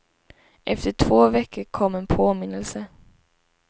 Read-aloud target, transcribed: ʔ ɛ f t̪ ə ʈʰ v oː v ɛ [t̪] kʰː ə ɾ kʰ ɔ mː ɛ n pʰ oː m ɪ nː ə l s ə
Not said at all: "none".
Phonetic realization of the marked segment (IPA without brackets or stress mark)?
none